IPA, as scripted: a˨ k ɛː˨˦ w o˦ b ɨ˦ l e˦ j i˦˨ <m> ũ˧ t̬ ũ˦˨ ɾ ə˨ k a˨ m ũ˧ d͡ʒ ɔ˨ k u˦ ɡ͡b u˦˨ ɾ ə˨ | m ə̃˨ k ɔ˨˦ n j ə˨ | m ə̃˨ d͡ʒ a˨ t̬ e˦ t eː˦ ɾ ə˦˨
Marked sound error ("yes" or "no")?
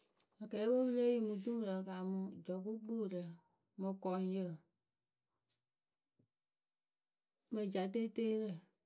no